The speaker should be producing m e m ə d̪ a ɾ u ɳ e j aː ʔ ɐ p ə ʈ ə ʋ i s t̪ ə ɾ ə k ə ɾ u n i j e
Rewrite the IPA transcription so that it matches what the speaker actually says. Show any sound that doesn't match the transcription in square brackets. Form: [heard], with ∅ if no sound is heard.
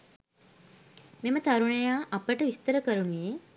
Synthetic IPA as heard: m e m ə [t̪] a ɾ u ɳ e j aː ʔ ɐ p ə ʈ ə ʋ i s t̪ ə ɾ ə k ə ɾ u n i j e